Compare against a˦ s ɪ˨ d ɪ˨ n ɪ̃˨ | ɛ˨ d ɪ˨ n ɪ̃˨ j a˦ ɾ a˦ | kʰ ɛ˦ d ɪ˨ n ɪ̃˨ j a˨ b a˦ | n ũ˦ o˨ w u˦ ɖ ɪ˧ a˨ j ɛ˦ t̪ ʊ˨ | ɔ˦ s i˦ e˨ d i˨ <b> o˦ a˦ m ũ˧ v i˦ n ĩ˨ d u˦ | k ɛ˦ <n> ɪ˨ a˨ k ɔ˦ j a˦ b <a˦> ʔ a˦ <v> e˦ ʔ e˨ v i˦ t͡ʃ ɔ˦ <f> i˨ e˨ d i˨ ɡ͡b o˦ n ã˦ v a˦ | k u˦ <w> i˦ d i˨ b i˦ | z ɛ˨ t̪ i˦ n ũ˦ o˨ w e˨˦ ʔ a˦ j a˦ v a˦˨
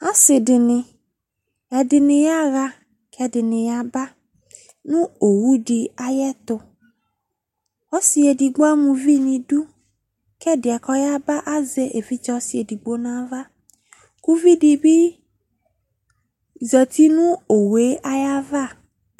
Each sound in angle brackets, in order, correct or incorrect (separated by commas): incorrect, incorrect, correct, incorrect, incorrect, incorrect